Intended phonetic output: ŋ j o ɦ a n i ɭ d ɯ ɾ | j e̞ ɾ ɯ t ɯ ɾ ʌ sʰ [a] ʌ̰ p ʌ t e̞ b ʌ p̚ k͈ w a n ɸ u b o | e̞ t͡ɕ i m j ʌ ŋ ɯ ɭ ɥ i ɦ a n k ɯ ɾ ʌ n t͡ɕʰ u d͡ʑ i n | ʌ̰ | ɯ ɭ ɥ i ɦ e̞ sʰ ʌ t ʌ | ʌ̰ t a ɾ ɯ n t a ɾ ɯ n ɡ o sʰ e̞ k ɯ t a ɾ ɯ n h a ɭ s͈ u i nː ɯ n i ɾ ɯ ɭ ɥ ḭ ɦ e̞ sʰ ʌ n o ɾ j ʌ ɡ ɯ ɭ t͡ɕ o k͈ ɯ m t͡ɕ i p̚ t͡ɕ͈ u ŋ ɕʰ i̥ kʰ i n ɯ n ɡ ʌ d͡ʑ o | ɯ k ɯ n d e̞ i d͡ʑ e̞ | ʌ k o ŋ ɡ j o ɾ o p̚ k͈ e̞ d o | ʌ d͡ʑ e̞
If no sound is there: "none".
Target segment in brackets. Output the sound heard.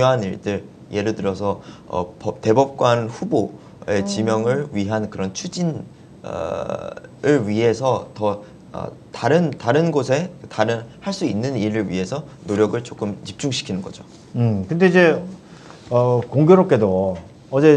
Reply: ʌ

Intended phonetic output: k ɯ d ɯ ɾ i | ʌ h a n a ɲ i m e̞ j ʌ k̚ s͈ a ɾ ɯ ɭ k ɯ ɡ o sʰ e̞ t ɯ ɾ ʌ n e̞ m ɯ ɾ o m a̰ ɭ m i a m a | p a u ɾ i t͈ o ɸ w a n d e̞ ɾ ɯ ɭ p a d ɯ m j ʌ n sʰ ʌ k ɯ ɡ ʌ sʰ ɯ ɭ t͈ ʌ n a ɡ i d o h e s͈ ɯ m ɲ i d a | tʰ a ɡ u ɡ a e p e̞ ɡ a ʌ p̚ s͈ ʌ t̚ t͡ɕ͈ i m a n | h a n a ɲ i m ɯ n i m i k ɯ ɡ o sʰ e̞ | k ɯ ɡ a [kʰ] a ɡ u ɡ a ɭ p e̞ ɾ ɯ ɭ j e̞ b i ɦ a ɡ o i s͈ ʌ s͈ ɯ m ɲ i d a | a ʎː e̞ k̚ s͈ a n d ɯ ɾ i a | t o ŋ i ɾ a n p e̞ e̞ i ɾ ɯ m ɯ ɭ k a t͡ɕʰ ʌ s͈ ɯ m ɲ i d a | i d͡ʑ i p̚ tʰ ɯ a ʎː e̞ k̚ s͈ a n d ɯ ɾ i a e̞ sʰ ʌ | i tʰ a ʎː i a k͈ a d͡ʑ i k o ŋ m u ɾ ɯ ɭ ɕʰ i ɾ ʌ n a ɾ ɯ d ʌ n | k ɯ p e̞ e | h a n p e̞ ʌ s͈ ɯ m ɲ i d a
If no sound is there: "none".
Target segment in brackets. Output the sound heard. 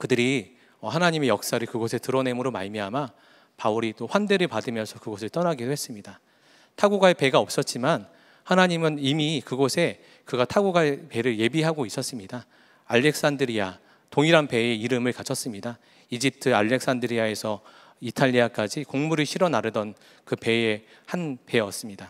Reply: tʰ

